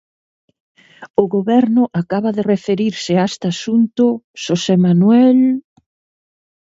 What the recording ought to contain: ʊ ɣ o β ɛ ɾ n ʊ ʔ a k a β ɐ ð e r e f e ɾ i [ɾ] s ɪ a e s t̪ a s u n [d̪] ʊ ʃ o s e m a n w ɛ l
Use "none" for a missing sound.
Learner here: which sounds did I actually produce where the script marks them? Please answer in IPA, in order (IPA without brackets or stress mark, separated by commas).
ɾ, t̪